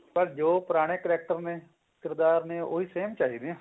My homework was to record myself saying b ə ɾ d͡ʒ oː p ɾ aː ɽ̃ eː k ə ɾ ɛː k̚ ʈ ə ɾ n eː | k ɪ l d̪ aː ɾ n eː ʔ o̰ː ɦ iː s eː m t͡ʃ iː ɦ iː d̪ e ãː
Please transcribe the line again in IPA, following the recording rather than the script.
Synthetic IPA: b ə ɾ d͡ʒ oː p ɾ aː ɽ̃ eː k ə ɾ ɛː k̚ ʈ ə ɾ n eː | k ɪ ɾ d̪ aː ɾ n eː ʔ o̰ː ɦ iː s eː m t͡ʃ aː ɦ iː d̪ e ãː